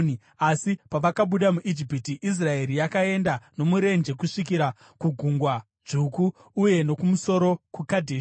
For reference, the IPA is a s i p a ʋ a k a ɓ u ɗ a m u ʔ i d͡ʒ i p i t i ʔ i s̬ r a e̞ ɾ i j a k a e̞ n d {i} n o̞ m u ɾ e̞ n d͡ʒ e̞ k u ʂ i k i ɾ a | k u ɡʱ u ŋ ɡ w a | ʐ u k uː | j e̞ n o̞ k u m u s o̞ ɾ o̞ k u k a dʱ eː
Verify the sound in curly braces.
incorrect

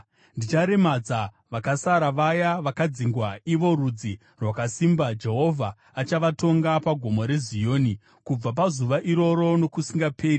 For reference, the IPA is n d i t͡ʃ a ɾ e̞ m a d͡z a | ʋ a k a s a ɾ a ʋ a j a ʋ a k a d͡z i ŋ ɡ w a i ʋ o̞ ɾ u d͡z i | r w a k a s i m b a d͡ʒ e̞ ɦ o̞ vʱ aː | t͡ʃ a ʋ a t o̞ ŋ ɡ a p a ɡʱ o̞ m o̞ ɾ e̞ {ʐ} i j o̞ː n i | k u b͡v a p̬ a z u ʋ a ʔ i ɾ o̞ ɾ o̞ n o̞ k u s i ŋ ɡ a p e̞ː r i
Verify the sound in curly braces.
incorrect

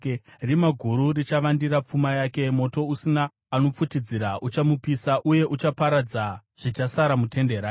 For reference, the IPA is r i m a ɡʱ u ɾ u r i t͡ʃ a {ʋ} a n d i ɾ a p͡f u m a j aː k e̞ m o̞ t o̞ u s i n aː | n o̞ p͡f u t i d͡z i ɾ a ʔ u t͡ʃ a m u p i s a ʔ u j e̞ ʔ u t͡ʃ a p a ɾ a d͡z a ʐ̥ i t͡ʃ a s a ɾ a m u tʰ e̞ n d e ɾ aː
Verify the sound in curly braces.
correct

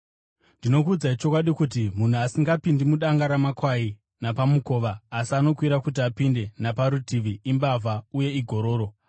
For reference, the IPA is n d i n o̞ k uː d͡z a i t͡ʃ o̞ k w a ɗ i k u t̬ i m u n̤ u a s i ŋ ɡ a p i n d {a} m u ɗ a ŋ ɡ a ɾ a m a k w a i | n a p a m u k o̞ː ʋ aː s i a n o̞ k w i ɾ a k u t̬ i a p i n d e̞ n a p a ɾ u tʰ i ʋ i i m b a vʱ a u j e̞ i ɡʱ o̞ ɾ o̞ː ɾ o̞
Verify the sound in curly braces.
incorrect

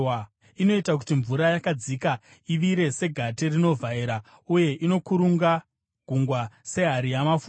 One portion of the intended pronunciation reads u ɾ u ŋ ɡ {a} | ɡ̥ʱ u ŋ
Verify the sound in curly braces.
correct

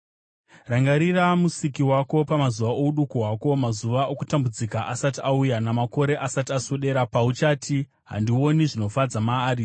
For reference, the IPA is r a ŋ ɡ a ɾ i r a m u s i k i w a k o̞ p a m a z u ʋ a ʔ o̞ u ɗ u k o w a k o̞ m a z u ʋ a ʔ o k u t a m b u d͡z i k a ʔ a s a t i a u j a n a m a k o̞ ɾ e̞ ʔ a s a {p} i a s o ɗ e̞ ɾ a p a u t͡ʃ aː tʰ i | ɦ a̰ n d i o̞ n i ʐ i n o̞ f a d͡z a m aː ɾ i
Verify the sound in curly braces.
incorrect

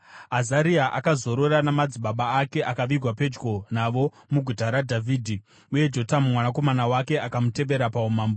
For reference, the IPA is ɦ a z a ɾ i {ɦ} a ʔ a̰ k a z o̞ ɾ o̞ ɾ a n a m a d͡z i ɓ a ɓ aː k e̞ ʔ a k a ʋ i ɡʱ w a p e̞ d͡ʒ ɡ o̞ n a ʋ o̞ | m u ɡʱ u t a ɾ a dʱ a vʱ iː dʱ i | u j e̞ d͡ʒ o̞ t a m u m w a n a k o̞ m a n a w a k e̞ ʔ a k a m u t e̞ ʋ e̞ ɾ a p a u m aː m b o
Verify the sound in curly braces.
incorrect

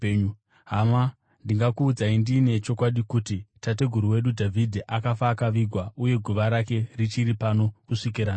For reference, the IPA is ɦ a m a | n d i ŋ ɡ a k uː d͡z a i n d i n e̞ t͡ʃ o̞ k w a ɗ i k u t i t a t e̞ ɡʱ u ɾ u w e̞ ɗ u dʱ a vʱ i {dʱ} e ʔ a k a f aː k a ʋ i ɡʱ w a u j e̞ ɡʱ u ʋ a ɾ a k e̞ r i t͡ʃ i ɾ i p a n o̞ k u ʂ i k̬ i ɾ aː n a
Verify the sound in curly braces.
correct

